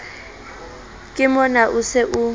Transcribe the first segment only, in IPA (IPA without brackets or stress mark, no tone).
kʼ